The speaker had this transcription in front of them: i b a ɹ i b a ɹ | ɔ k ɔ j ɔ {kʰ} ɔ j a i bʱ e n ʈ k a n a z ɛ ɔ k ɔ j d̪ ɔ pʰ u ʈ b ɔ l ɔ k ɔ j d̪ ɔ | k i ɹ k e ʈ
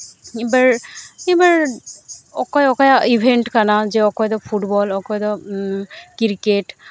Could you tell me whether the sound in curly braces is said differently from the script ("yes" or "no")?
yes